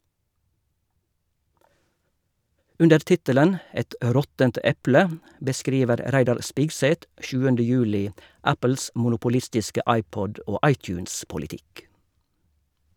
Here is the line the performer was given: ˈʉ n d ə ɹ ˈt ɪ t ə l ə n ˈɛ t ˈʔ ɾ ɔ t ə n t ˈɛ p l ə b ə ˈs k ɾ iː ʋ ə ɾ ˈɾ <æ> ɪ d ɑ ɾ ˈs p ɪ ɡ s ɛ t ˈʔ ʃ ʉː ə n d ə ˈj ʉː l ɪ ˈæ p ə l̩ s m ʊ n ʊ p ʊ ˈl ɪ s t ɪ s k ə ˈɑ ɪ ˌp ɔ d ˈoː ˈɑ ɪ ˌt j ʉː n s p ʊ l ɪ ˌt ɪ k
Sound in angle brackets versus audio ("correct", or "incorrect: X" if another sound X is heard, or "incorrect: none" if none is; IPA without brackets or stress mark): correct